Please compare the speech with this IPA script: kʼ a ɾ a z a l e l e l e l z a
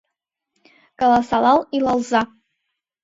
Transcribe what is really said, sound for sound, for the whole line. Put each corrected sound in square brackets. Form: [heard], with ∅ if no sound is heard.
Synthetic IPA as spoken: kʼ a [l] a [s] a l [a] l [i] l [a] l z a